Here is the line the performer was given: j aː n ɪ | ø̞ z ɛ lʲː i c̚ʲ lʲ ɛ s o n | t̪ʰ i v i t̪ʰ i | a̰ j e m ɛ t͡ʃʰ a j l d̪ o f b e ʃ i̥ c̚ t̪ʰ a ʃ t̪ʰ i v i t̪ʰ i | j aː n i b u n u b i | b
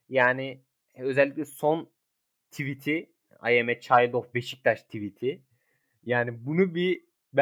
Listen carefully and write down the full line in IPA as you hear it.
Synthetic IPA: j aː n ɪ | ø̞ z ɛ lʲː i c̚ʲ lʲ ɛ s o n | t̪ʰ i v i t̪ʰ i | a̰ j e m ɛ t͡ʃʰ a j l d̪ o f b e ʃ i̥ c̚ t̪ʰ a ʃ t̪ʰ i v i t̪ʰ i | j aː n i b u n u b i | b